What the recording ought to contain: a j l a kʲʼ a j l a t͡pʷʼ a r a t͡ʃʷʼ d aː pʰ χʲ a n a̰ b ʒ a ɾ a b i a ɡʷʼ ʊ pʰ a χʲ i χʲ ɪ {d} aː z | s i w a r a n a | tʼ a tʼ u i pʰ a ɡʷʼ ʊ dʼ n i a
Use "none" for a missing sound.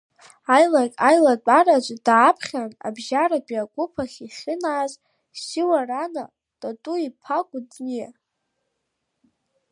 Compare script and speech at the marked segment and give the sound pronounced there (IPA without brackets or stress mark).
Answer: n